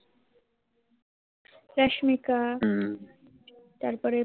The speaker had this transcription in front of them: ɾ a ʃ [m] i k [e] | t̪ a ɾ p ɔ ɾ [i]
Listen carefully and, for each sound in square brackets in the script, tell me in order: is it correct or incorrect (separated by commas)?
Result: correct, incorrect, incorrect